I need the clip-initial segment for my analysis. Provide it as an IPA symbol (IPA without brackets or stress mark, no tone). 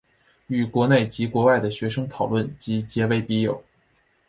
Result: y